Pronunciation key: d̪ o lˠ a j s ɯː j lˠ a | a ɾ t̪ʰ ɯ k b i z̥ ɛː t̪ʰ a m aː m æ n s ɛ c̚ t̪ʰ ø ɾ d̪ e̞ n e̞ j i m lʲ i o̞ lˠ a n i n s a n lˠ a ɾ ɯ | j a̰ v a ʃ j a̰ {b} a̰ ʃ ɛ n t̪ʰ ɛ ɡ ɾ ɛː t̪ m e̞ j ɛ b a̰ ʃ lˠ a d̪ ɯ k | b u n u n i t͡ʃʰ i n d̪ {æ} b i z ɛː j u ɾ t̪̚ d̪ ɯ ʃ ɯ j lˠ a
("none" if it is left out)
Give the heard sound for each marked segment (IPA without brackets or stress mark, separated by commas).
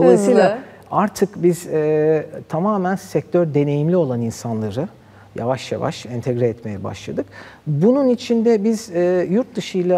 v, ɛ